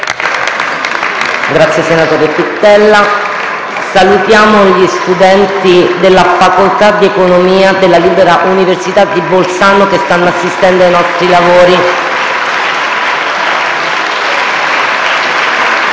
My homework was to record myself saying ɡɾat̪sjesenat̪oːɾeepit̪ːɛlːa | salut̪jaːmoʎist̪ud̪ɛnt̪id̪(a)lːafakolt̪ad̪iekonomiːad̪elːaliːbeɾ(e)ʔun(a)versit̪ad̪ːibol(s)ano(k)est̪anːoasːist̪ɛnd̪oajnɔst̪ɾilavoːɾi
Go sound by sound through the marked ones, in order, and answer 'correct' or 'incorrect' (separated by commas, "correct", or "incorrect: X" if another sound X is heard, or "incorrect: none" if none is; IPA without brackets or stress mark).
incorrect: e, incorrect: a, incorrect: i, correct, correct